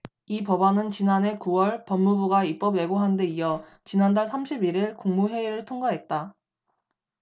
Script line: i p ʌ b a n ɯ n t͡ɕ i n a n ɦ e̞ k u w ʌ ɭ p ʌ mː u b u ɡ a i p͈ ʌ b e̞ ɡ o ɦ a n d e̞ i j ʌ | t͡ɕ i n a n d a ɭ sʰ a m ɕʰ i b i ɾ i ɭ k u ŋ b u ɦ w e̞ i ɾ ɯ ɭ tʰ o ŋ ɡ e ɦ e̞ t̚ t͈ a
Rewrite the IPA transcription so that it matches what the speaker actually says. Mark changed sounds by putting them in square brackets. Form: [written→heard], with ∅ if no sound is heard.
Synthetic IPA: i p ʌ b a n ɯ n t͡ɕ i n a n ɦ e̞ k u w ʌ ɭ p ʌ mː u b u ɡ a i p͈ ʌ b e̞ ɡ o ɦ a n d e̞ i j ʌ | t͡ɕ i n a n d a ɭ sʰ a m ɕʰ i b i ɾ i ɭ k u ŋ [b→m] u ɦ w e̞ i ɾ ɯ ɭ tʰ o ŋ ɡ [e→a] ɦ e̞ t̚ t͈ a